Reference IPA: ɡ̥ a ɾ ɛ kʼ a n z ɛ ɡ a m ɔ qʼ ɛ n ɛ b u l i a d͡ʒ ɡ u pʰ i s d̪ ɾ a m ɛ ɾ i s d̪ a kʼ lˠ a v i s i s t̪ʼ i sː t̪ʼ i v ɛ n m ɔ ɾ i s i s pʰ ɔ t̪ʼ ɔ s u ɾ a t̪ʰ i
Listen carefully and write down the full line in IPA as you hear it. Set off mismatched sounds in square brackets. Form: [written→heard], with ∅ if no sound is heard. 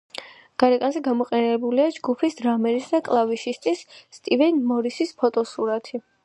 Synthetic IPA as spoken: ɡ̥ a ɾ ɛ kʼ a n z ɛ ɡ a m ɔ qʼ ɛ n ɛ b u l i a d͡ʒ ɡ u pʰ i s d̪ ɾ a m ɛ ɾ i s d̪ a kʼ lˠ a v i [s→ʃ] i s t̪ʼ i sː t̪ʼ i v ɛ n m ɔ ɾ i s i s pʰ ɔ t̪ʼ ɔ s u ɾ a t̪ʰ i